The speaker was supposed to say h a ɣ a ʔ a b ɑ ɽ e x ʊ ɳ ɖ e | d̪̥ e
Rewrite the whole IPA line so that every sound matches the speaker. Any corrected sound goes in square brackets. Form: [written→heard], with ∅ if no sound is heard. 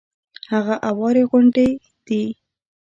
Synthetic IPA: h a ɣ a ʔ a [b→w] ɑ [ɽ→ɾ] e [x→ɣ] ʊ ɳ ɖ e | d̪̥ [e→i]